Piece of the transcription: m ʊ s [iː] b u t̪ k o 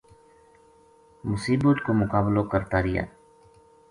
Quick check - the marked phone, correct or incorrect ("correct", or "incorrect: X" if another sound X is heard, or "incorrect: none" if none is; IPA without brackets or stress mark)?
correct